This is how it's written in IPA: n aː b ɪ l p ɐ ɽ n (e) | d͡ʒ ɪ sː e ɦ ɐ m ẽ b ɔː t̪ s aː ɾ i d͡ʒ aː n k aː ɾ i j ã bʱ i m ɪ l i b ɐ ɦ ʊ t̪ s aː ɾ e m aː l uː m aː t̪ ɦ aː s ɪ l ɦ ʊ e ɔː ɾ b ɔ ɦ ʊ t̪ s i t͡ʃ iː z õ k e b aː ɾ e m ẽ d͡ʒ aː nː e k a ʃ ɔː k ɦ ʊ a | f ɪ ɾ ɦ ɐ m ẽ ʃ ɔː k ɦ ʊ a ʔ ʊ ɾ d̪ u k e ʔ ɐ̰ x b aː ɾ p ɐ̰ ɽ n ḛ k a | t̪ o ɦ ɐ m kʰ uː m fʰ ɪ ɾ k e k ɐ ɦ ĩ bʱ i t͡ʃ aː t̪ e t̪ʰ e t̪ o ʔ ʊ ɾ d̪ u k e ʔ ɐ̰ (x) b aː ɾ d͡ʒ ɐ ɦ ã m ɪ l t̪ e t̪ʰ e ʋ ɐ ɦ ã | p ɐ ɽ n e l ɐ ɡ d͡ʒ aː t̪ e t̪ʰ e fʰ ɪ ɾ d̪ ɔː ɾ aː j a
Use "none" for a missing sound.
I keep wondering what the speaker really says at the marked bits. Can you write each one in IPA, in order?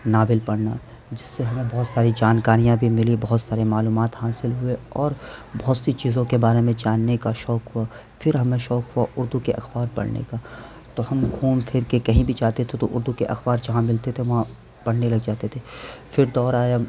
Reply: a, x

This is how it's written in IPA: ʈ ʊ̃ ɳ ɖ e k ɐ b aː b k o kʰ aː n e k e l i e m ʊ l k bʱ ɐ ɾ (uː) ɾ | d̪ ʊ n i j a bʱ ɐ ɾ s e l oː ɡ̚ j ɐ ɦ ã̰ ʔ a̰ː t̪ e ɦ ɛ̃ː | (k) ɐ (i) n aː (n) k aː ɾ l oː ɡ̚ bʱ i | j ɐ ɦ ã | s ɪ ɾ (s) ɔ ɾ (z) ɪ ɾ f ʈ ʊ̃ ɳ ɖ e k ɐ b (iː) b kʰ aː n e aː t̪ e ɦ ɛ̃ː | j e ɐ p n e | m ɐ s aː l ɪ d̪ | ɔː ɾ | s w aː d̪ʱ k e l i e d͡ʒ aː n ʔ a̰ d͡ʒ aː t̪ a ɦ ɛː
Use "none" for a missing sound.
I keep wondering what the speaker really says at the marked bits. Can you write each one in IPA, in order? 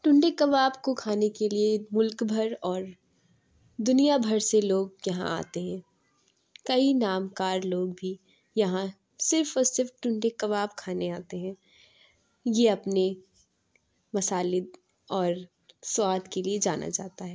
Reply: ɔː, k, i, m, f, s, aː

